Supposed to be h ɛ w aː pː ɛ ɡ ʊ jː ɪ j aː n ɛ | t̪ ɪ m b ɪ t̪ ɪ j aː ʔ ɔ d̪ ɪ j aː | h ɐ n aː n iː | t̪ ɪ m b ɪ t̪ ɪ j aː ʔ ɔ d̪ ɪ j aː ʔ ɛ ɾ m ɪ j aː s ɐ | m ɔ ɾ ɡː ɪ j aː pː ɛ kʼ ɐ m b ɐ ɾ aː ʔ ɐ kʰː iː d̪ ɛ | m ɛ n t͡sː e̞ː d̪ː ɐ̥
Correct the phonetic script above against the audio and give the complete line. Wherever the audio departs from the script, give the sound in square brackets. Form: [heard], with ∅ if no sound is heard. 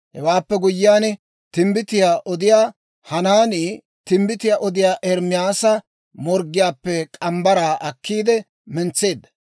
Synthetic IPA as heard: h ɛ w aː pː ɛ ɡ ʊ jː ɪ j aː n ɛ | t̪ ɪ m b ɪ t̪ ɪ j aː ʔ ɔ d̪ ɪ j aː | h ɐ n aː n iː | t̪ ɪ m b ɪ t̪ ɪ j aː ʔ ɔ d̪ ɪ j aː ʔ ɛ ɾ m ɪ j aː s ɐ | m ɔ ɾ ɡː ɪ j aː pː ɛ kʼ ɐ m b ɐ ɾ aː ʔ ɐ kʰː iː d̪ ɛ | m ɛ n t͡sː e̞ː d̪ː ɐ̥